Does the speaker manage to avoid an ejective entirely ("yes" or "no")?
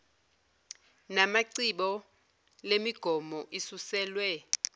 yes